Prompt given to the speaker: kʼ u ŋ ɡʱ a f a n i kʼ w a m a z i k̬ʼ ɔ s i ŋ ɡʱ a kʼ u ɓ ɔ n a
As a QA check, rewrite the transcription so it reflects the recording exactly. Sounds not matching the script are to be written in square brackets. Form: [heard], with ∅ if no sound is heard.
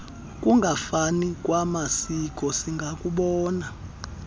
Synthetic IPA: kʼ u ŋ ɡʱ a f a n i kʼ w a m a [s] i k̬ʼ ɔ s i ŋ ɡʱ a kʼ u ɓ [ɔː] n a

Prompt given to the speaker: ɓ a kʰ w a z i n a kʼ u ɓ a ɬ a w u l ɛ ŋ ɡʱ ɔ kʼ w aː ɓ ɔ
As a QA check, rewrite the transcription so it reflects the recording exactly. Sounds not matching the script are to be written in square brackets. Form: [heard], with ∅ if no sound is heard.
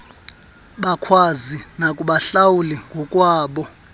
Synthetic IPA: ɓ a kʰ w a z i n a kʼ u ɓ a ɬ a w u l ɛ ŋ ɡʱ ɔ kʼ w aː ɓ ɔ

